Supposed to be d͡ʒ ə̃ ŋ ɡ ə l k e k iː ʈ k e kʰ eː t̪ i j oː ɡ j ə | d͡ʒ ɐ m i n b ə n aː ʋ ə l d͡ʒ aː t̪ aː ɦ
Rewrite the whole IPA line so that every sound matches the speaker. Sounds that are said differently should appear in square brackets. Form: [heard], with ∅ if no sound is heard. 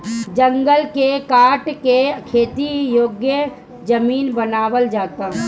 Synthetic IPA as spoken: d͡ʒ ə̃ ŋ ɡ ə l k e k [aː] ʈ k e kʰ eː t̪ i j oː ɡ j ə | d͡ʒ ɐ m [iː] n b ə n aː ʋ ə l d͡ʒ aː t̪ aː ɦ